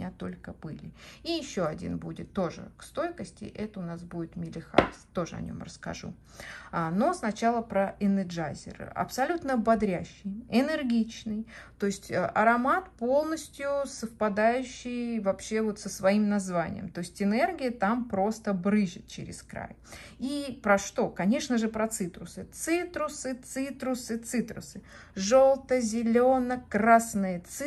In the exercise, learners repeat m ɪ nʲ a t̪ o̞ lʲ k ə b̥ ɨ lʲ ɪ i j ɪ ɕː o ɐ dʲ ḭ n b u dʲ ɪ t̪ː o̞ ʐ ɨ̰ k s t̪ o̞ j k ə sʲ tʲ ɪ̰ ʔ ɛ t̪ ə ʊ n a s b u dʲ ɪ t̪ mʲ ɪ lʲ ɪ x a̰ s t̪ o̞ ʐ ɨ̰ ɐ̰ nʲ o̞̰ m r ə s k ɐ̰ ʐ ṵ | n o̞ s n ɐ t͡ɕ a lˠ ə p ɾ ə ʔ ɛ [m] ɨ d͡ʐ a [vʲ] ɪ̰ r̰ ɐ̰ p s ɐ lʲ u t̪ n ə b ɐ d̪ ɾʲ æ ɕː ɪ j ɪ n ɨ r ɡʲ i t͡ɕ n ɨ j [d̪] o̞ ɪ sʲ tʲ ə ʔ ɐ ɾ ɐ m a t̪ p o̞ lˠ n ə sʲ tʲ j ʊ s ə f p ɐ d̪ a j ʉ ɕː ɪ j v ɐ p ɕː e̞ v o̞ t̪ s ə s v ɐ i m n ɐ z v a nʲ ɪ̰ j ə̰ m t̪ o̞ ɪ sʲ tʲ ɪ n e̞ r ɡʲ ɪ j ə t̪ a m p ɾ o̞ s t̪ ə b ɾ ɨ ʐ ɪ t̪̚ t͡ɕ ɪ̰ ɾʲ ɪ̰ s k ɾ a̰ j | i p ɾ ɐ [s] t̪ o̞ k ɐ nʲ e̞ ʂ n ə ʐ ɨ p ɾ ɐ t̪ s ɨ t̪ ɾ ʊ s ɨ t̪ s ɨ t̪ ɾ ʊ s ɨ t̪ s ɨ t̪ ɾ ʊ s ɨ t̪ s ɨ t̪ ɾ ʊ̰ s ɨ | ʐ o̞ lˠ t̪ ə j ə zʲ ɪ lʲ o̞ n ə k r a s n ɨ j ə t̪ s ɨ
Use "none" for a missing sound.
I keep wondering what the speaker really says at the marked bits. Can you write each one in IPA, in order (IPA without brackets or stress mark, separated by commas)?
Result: n, zʲ, t̪, ʂ